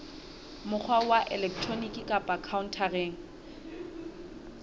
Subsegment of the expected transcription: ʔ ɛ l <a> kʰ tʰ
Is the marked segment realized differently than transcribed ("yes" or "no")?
yes